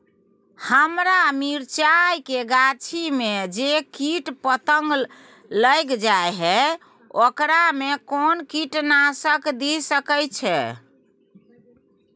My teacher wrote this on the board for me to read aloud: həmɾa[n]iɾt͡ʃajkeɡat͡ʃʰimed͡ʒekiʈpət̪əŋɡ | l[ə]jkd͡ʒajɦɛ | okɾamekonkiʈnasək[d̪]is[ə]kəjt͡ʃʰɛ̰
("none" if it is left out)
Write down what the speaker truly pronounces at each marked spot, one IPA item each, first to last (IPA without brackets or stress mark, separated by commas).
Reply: m, ə, d̪, ə